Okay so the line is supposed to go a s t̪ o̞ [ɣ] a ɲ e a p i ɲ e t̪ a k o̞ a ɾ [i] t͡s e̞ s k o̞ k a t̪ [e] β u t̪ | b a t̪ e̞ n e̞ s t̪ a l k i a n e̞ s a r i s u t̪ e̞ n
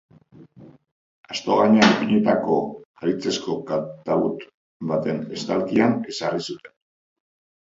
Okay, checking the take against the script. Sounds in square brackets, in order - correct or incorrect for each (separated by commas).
correct, correct, incorrect